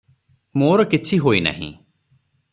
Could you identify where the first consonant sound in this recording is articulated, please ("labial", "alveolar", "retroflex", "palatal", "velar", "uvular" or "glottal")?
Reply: labial